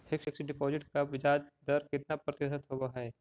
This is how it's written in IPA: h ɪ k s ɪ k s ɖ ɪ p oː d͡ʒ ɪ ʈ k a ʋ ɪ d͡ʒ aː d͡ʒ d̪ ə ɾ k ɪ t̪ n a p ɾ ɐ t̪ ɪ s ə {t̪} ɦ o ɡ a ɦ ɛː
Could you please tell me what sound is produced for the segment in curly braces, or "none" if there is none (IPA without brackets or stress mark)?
t̪